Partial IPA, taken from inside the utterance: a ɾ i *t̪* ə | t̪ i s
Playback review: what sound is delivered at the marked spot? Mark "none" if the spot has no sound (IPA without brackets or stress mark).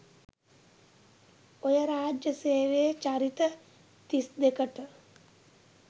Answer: t̪